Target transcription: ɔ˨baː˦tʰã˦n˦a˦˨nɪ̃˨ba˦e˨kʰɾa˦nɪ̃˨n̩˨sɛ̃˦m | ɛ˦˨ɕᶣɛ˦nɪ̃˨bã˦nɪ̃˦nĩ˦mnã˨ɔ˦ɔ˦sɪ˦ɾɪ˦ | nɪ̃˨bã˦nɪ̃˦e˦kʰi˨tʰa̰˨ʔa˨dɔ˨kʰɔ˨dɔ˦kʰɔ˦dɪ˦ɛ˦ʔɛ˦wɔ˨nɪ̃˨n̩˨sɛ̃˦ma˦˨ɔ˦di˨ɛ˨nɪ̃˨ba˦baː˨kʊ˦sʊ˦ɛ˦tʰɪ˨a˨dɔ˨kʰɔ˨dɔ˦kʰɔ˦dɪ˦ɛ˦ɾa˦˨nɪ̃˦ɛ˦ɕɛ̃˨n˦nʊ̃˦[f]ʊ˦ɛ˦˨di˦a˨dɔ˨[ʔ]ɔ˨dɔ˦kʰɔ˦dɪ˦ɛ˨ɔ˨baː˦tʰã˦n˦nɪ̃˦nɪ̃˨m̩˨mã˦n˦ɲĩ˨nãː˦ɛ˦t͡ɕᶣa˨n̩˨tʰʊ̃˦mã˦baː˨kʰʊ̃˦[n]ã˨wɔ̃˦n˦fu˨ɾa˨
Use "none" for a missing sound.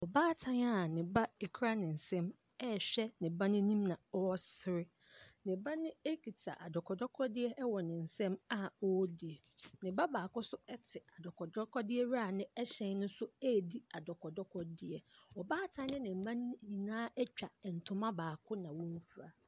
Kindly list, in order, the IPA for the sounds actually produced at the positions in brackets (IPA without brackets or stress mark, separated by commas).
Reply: s, k, n